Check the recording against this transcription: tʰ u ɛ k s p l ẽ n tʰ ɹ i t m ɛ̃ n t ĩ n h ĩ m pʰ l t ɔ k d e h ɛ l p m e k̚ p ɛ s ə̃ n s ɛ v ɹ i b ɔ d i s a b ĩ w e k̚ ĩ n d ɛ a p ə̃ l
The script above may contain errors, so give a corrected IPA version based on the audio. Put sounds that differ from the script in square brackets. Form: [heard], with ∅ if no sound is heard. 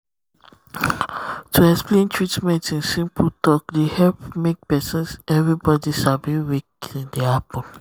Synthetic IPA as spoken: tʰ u ɛ k s p l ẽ n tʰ ɹ i t m ɛ̃ n t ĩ n [s] ĩ m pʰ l t ɔ k d e h ɛ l p m e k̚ p ɛ s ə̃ n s ɛ v ɹ i b ɔ d i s a b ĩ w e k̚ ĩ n d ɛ a p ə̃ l